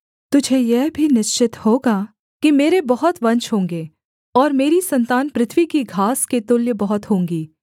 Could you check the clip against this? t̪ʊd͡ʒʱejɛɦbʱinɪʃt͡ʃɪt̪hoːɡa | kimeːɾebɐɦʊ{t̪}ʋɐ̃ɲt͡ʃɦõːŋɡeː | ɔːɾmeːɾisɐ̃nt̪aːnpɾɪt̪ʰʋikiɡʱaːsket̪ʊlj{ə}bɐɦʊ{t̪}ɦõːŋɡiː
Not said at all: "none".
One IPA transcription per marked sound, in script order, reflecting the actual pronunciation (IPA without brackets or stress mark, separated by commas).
t̪, ə, t̪